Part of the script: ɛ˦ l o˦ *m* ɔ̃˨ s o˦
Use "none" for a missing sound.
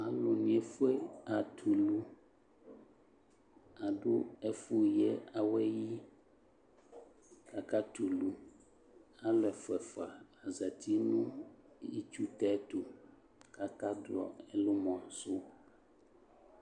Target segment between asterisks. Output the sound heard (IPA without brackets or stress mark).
m